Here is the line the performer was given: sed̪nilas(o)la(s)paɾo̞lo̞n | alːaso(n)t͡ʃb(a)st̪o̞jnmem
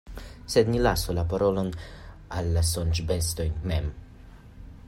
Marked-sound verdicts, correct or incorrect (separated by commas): correct, incorrect, correct, incorrect